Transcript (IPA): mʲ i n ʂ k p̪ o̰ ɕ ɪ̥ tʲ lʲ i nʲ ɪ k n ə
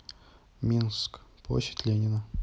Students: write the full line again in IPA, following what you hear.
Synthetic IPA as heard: mʲ i n s k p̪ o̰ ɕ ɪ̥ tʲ lʲ e nʲ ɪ n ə

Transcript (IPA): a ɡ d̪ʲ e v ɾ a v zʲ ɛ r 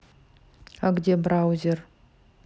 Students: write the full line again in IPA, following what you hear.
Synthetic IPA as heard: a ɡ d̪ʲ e b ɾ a w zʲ e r

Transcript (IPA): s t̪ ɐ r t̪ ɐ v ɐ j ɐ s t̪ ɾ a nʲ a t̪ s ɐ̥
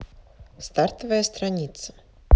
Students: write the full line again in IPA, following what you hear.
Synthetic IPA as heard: s t̪ a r t̪ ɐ v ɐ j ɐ s t̪ ɾ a nʲ i t̪ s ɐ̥

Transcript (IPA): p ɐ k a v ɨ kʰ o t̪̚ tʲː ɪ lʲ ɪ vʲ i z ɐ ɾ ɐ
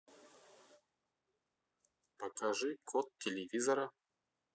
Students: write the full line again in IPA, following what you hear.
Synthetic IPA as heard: p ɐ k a ʐ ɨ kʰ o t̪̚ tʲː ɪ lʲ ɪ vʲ i z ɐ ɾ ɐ

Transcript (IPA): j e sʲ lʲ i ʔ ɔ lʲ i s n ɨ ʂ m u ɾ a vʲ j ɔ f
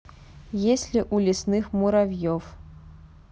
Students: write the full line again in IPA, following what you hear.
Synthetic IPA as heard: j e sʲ lʲ i ʔ u lʲ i s n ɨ x m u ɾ a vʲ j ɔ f

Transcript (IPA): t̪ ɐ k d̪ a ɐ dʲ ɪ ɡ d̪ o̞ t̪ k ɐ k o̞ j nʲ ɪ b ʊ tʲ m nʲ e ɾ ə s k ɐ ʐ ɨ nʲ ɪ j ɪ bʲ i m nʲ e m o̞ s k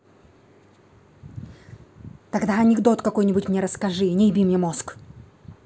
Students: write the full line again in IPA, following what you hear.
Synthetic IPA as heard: t̪ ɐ ɡ d̪ a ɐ nʲ ɪ ɡ d̪ o̞ t̪ k ɐ k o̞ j nʲ ɪ b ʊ tʲ m nʲ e ɾ ə s k ɐ ʐ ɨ nʲ ɪ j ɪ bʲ i m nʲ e m o̞ s k

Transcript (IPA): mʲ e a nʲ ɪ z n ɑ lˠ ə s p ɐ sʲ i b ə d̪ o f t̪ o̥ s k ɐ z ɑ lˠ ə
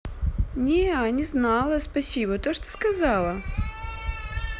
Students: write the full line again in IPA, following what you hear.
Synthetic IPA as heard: nʲ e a nʲ ɪ z n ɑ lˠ ə s p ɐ sʲ i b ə t̪ o ʂ t̪ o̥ s k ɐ z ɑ lˠ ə

